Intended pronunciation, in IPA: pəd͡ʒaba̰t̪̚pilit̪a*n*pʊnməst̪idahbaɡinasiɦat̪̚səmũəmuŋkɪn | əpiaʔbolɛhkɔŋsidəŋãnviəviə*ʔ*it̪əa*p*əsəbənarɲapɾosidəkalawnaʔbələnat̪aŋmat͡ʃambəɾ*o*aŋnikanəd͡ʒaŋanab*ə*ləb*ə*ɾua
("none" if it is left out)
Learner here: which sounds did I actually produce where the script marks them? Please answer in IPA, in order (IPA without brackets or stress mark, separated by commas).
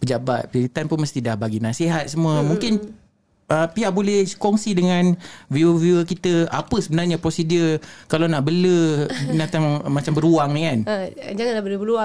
n, k, p, u, ə, ə